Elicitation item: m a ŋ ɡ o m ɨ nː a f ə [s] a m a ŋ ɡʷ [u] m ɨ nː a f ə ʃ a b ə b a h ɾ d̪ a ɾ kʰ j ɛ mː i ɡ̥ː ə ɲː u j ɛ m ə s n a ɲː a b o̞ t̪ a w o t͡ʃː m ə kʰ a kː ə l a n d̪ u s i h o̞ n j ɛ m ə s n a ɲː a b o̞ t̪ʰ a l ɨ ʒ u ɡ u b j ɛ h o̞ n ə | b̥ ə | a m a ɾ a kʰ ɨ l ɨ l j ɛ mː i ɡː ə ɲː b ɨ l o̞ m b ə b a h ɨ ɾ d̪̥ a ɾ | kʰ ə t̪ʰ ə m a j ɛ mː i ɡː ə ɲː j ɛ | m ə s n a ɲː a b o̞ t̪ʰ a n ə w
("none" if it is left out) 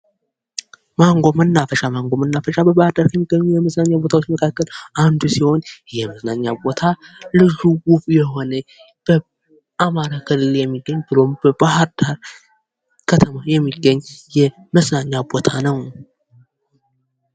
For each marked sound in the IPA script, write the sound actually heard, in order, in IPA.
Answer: ʃ, o

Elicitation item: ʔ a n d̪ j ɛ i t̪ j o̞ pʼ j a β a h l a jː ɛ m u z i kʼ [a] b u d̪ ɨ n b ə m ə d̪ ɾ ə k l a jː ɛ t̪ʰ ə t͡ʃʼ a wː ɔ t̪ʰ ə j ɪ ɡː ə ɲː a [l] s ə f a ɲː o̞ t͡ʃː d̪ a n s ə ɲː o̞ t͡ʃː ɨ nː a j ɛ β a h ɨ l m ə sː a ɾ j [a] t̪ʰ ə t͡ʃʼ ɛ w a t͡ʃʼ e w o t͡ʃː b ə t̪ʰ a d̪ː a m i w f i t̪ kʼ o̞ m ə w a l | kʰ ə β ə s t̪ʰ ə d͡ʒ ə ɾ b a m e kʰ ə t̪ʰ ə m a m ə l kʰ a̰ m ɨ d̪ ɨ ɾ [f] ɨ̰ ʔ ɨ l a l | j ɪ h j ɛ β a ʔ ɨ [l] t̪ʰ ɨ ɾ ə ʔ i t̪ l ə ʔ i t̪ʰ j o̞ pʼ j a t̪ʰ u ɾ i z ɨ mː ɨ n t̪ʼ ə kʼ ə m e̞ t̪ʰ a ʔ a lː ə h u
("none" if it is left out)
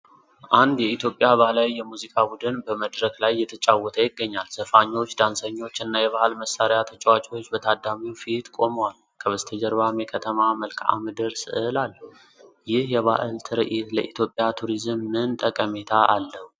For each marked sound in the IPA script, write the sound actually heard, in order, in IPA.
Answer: a, l, a, s, l

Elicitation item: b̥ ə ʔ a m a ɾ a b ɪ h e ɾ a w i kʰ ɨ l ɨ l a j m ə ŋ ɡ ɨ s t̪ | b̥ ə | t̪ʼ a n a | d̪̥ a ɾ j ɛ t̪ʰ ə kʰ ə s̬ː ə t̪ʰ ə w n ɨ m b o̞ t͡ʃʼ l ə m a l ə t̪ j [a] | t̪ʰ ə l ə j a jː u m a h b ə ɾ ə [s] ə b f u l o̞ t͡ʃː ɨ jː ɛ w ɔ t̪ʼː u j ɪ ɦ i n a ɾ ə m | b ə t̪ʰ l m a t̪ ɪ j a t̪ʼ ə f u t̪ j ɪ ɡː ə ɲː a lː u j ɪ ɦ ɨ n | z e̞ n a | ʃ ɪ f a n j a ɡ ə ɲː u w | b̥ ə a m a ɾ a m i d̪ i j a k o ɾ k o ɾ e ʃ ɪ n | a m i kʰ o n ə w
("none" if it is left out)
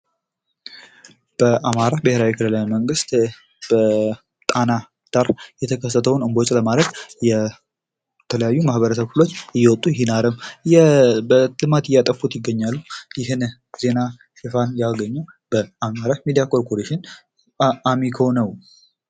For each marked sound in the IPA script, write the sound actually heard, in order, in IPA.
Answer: ɛ, s

